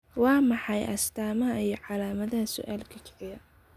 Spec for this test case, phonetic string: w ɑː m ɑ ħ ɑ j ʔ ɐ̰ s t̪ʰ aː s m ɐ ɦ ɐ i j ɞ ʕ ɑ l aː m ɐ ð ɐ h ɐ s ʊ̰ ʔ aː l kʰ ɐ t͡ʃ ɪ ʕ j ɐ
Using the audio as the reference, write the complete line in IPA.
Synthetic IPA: w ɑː m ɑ ħ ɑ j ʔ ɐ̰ s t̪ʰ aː m ɐ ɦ ɐ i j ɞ ʕ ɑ l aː m ɐ ð ɐ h ɐ s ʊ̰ ʔ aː l kʰ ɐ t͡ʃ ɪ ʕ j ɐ